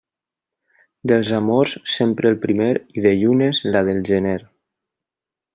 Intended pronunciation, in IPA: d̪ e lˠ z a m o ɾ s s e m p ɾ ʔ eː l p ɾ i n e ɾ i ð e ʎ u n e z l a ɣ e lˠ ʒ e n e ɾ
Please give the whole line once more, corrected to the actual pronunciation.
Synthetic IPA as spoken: d̪ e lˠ z a m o ɾ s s e m p ɾ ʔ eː l p ɾ i m e ɾ i ð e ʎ u n e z l a ð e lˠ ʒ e n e ɾ